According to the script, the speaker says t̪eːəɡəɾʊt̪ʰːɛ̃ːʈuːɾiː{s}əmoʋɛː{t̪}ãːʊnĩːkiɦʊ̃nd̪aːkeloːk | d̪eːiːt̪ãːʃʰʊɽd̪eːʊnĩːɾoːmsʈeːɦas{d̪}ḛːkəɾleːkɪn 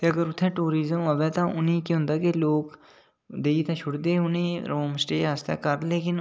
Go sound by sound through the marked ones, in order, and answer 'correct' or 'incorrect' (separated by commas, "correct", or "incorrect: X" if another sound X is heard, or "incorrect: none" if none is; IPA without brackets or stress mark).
incorrect: z, correct, incorrect: t̪